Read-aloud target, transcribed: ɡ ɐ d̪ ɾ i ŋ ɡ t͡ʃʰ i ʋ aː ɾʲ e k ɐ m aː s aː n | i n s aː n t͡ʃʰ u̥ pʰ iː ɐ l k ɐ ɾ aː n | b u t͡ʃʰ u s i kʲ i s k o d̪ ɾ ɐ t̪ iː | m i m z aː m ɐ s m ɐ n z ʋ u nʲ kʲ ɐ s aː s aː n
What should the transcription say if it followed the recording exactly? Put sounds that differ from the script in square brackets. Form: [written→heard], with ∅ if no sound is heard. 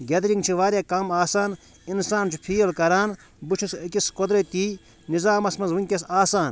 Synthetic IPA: ɡ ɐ d̪ ɾ i ŋ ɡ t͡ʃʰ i ʋ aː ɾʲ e k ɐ m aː s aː n | i n s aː n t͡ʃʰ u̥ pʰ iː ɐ l k ɐ ɾ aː n | b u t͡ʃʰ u s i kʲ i s k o d̪ ɾ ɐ t̪ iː | [m→n] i [m→∅] z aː m ɐ s m ɐ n z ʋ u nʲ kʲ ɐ s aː s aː n